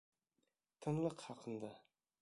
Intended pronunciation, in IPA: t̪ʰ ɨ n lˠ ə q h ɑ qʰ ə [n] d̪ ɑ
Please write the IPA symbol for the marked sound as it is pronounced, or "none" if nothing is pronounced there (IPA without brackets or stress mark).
n